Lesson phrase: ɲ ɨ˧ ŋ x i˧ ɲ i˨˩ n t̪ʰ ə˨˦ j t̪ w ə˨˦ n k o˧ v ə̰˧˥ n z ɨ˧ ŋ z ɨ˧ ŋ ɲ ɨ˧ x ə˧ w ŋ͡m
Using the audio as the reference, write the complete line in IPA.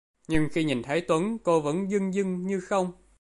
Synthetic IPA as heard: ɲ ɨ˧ ŋ x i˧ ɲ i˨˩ n t̪ʰ ə˨˦ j t̪ w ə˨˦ n k o˧ v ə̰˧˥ n z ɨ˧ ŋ z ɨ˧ ŋ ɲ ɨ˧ x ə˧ w ŋ͡m